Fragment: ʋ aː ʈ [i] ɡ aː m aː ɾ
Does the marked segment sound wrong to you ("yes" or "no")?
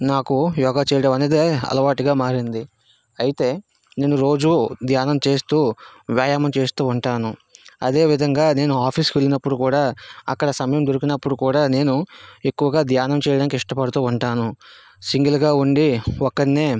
no